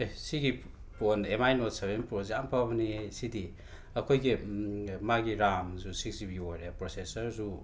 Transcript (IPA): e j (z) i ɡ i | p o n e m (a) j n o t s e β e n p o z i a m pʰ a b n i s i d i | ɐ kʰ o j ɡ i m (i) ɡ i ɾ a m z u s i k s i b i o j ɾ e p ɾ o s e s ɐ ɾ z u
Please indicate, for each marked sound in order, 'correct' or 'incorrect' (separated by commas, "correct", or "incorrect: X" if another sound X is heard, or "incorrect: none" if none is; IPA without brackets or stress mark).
incorrect: s, correct, incorrect: a